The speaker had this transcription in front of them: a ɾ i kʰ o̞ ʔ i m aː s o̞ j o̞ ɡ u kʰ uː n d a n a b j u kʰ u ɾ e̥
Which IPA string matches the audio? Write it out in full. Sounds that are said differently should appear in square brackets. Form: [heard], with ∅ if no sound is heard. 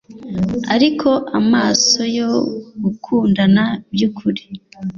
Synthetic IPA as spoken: a ɾ i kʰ o̞ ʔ [a] m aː s o̞ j o̞ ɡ u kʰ uː n d a n a b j u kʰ u ɾ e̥